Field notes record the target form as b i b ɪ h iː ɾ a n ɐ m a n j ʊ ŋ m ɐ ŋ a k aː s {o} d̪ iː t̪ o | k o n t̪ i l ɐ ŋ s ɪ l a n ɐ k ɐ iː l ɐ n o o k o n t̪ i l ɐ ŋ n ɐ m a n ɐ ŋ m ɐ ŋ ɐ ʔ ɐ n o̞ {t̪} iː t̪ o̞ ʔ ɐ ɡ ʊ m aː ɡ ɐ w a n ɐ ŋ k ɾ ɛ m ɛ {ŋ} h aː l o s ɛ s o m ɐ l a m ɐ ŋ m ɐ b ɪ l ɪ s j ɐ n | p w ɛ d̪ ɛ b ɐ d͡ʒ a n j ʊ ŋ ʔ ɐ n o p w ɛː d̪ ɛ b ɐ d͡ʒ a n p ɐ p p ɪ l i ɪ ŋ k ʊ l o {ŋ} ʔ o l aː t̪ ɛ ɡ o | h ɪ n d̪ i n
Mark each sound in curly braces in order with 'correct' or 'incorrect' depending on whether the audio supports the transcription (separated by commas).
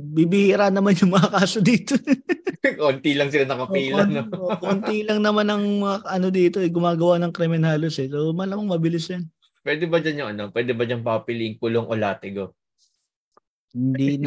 correct, incorrect, incorrect, correct